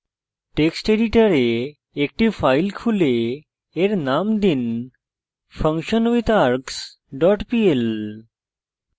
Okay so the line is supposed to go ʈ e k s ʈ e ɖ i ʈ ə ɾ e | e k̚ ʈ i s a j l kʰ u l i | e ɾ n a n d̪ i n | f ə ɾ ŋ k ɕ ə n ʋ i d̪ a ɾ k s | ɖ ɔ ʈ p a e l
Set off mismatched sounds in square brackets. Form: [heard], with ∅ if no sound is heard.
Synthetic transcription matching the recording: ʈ e k s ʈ e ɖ i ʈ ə ɾ e | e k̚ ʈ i [f] a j l kʰ u l [e] | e ɾ n a [m] d̪ i n | f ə [∅] ŋ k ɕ ə n ʋ i [t̪] a ɾ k s | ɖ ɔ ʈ p [i] e l

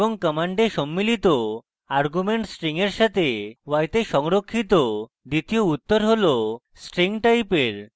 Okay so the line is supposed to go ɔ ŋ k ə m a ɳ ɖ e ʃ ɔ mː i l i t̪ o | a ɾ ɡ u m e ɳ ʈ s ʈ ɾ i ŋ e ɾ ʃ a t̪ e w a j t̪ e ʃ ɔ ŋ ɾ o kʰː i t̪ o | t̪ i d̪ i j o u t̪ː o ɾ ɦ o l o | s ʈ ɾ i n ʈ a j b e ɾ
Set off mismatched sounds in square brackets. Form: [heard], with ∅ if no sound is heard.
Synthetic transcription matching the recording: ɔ ŋ k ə m a ɳ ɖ e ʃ ɔ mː i l i t̪ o | a ɾ ɡ u m e ɳ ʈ s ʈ ɾ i ŋ e ɾ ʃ a t̪ e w a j t̪ e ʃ ɔ ŋ ɾ o kʰː i t̪ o | [d̪] i [t̪] i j o u t̪ː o ɾ ɦ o l o | s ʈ ɾ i [ŋ] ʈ a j [p] e ɾ

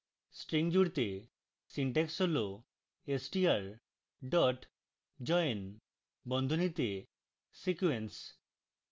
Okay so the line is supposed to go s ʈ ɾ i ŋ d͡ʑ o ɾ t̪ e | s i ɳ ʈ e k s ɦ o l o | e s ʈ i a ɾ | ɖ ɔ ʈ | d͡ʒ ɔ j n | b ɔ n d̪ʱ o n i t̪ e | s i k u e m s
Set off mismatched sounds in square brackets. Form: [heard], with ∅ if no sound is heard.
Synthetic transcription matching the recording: s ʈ ɾ i ŋ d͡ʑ [u] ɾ t̪ e | s i ɳ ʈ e k s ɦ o l o | e s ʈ i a ɾ | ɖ ɔ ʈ | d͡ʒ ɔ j n | b ɔ n d̪ʱ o n i t̪ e | s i k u e [n] s

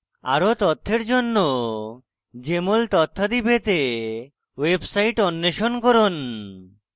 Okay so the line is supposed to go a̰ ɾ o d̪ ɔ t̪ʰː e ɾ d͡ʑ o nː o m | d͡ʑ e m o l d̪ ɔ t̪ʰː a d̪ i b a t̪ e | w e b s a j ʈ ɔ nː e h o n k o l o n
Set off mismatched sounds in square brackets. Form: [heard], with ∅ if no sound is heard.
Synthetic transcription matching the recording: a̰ ɾ o [t̪] ɔ t̪ʰː e ɾ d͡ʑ o nː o [∅] | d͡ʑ e m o l [t̪] ɔ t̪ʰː a d̪ i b [e] t̪ e | w e b s a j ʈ ɔ nː e [ʃ] o n k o [ɾ] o n

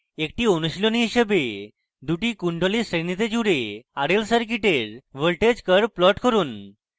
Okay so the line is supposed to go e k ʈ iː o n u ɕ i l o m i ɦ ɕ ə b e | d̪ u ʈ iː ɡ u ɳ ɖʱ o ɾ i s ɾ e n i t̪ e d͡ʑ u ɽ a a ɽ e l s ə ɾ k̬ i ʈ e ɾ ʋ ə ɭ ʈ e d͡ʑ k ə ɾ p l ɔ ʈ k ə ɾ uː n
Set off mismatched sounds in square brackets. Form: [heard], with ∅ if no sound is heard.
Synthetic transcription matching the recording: e k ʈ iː o n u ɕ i l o [n] i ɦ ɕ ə b e | d̪ u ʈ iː [k] u ɳ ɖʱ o [l] i s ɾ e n i t̪ e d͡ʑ u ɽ [e] a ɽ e l s ə ɾ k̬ i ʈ e ɾ ʋ ə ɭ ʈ e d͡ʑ k ə ɾ p l ɔ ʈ k ə ɾ uː n

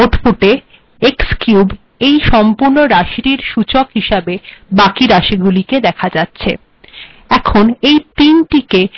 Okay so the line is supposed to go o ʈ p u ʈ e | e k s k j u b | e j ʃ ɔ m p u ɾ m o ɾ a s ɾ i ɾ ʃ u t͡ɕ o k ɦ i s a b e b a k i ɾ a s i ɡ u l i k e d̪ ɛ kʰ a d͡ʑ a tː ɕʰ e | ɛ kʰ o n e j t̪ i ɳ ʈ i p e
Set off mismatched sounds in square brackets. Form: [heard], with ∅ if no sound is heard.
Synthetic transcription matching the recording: o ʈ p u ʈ e | e k s k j u b | e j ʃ ɔ m p u ɾ [n] o ɾ a [ʃ] ɾ i ɾ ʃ u t͡ɕ o k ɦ i [ʃ] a b e b a k i ɾ a [ʃ] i ɡ u l i k e d̪ ɛ kʰ a d͡ʑ a tː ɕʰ e | ɛ kʰ o n e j t̪ i [n] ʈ i [k] e

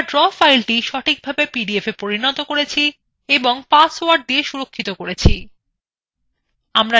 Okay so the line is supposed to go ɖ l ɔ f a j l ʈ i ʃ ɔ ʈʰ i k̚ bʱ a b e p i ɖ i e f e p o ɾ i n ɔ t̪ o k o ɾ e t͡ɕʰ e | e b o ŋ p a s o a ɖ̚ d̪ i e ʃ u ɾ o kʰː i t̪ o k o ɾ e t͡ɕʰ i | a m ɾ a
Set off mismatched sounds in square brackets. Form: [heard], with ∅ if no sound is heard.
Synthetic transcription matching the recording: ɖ [ɾ] ɔ f a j l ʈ i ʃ ɔ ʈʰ i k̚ bʱ a b e p i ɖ i e f e p o ɾ i n ɔ t̪ o k o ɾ e t͡ɕʰ [i] | e b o ŋ p a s o a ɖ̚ d̪ i e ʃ u ɾ o kʰː i t̪ o k o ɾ e t͡ɕʰ i | a m ɾ a

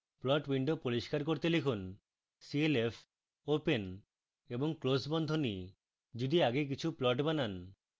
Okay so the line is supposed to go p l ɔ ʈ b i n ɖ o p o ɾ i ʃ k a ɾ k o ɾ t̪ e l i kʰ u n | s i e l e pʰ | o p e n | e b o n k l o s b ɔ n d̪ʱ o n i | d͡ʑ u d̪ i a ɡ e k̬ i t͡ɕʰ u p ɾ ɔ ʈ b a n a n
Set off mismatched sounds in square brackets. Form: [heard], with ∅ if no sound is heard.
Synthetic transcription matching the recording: p l ɔ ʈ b i [ɳ] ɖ o p o ɾ i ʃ k a ɾ k o ɾ t̪ e l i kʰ u n | s i e l e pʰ | o p e n | e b o [ŋ] k l o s b ɔ n d̪ʱ o n i | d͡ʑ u d̪ i a ɡ e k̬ i t͡ɕʰ u p [l] ɔ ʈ b a n a n

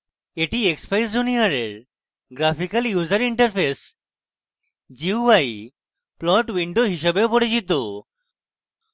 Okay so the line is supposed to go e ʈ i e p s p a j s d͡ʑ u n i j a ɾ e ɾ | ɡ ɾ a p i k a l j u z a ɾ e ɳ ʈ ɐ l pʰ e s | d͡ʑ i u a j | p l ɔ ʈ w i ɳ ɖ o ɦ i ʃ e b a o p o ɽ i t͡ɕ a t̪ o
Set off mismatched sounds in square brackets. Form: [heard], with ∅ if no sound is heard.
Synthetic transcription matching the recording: e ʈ i e [k] s p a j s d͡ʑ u n i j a ɾ e ɾ | ɡ ɾ a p i k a l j u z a ɾ [i] ɳ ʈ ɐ [ɾ] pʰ e s | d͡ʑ i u a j | p l ɔ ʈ w i ɳ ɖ o ɦ i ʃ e b [e] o p o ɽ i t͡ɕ [i] t̪ o

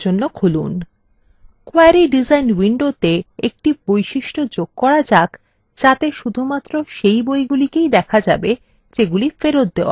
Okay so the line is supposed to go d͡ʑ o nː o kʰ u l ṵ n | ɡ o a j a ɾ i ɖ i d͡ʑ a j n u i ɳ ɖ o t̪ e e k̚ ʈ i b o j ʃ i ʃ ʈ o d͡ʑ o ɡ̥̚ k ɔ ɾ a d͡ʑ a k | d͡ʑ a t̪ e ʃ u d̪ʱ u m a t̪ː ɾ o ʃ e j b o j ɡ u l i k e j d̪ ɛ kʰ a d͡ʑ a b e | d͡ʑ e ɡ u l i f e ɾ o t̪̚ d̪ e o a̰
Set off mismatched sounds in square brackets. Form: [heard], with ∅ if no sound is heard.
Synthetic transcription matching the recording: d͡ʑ o nː o kʰ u l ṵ n | [k] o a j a ɾ i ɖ i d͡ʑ a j n [w] i ɳ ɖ o t̪ e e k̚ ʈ i b o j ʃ i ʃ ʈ o d͡ʑ o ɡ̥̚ k ɔ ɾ a d͡ʑ a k | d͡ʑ a t̪ e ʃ u d̪ʱ u m a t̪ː ɾ o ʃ e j b o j ɡ u l i k e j d̪ ɛ kʰ a d͡ʑ a b e | d͡ʑ e ɡ u l i f e ɾ o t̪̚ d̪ e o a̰

